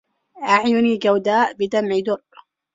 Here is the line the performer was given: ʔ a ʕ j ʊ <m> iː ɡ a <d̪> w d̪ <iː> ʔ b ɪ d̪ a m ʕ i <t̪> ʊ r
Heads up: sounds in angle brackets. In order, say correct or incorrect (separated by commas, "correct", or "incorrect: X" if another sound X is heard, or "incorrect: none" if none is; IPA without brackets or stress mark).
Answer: incorrect: n, incorrect: none, incorrect: aː, incorrect: d̪